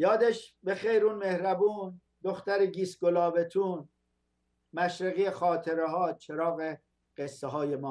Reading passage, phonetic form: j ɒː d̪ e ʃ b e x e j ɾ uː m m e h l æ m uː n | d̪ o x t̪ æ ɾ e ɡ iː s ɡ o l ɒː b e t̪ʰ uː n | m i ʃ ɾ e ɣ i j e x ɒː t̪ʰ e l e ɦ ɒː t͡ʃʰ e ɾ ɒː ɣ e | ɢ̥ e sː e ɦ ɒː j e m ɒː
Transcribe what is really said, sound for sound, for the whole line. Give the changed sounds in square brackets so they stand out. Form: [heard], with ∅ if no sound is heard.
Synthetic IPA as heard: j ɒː d̪ e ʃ b e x e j ɾ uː [n] m e h [ɾ] æ [b] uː n | d̪ o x t̪ æ ɾ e ɡ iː s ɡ o l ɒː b e t̪ʰ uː n | m [æ] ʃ ɾ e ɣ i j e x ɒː t̪ʰ e [ɾ] e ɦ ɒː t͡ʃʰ e ɾ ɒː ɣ e | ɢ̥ e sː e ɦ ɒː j e m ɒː